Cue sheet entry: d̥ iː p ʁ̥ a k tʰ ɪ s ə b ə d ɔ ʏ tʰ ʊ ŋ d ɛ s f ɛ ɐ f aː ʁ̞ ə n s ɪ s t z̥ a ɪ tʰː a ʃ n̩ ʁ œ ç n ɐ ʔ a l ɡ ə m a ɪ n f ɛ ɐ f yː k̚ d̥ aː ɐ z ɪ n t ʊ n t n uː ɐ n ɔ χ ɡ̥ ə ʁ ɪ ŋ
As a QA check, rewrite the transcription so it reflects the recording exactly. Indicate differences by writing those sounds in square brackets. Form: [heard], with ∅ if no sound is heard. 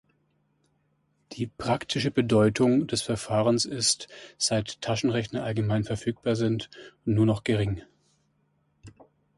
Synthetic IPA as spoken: d̥ iː p ʁ̥ a k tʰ ɪ [ʃ] ə b ə d ɔ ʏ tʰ ʊ ŋ d ɛ s f ɛ ɐ f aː ʁ̞ ə n s ɪ s t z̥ a ɪ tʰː a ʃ n̩ ʁ [ɛ] ç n ɐ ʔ a l ɡ ə m a ɪ n f ɛ ɐ f yː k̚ [b̥] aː ɐ z ɪ n t ʊ n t n uː ɐ n ɔ χ ɡ̥ ə ʁ ɪ ŋ